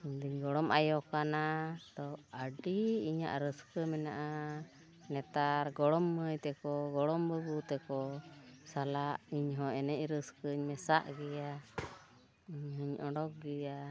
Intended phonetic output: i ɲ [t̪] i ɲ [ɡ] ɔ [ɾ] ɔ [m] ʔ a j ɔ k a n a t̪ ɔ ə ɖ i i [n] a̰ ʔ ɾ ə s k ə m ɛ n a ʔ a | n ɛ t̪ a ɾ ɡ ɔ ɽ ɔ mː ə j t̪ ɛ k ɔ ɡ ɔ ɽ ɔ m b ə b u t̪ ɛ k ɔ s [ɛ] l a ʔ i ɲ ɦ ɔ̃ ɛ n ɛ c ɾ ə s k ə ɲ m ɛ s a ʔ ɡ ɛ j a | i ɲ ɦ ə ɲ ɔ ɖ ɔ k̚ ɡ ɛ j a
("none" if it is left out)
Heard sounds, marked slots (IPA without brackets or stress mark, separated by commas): d̪, ɡ, ɽ, m, ɲ, a